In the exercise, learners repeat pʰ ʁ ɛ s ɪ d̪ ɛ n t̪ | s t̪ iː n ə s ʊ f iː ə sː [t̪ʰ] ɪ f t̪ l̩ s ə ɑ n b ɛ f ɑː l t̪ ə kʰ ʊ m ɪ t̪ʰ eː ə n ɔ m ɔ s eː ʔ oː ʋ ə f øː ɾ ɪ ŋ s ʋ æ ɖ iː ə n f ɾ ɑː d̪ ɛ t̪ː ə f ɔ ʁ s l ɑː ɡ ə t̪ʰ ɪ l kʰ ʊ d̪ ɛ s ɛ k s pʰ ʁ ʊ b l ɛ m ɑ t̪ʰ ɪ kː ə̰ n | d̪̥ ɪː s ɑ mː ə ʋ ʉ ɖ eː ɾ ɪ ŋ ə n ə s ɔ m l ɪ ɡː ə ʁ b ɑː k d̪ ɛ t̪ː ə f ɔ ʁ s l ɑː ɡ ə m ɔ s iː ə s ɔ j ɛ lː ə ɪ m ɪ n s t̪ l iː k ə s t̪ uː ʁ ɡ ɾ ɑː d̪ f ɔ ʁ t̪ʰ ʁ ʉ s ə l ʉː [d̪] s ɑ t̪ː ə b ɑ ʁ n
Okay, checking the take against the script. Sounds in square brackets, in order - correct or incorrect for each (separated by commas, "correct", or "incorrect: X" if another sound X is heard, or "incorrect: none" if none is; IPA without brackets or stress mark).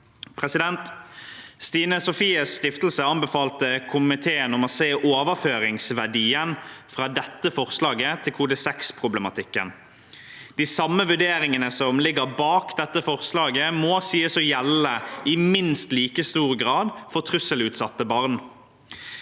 incorrect: t̪, incorrect: t̪